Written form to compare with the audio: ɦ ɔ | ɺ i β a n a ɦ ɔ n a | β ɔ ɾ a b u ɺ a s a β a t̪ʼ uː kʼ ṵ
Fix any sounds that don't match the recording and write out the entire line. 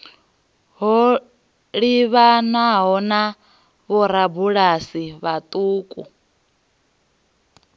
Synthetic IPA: ɦ ɔ | ɺ i β a n a ɦ ɔ n a | β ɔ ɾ a b u ɺ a s i β a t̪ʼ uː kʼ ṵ